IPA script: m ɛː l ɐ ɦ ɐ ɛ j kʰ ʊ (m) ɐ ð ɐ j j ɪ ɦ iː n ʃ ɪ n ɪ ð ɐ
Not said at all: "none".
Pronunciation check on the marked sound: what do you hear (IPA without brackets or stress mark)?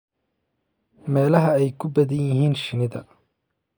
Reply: b